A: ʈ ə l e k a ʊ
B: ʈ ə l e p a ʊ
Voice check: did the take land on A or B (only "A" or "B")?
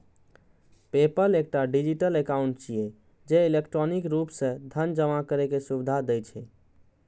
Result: A